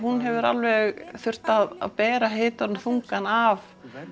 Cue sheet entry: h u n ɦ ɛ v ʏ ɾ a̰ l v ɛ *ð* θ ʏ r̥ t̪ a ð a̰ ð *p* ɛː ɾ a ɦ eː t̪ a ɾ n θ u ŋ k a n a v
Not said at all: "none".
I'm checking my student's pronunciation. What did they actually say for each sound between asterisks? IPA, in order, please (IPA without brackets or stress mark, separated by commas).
ɣ, p